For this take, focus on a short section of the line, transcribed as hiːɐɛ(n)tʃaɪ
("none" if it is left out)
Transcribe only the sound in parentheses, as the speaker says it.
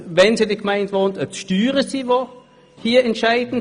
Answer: n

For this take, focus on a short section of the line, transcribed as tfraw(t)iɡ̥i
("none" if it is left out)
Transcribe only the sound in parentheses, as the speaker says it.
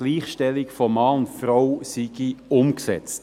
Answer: s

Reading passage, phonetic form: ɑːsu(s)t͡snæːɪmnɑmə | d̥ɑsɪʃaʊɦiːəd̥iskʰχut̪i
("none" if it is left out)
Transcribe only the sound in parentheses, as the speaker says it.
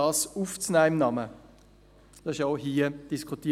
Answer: f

